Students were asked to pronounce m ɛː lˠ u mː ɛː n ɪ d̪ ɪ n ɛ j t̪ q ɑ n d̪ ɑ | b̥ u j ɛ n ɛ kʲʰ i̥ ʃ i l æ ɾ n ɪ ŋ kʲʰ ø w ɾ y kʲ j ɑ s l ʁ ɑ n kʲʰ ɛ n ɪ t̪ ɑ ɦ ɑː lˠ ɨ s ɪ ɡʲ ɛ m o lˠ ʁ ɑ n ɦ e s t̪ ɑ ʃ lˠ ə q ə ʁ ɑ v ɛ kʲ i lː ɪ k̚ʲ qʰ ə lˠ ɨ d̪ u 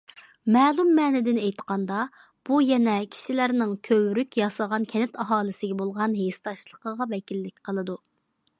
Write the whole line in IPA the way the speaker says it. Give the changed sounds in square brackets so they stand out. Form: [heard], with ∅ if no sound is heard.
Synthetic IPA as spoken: m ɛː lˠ u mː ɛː n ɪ d̪ ɪ n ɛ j t̪ q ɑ n d̪ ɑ | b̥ u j ɛ n ɛ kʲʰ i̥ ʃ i l æ ɾ n ɪ ŋ kʲʰ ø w ɾ y kʲ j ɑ s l ʁ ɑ n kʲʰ ɛ n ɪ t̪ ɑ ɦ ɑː lˠ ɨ s ɪ ɡʲ ɛ [b] o lˠ ʁ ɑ n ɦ e s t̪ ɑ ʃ lˠ ə q ə ʁ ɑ v ɛ kʲ i lː ɪ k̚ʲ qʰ ə lˠ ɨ d̪ u